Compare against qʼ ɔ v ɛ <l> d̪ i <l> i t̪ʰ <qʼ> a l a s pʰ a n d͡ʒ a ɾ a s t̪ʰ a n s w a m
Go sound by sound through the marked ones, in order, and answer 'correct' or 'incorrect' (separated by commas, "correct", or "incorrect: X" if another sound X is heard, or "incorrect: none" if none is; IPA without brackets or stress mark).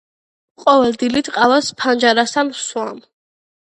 correct, correct, correct